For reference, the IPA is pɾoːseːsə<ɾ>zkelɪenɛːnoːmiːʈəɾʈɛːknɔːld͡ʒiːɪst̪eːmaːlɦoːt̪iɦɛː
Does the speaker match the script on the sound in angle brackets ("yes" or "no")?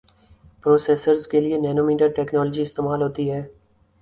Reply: yes